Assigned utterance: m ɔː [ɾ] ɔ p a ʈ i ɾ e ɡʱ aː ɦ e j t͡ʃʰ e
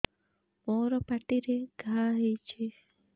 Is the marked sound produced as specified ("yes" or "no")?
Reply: yes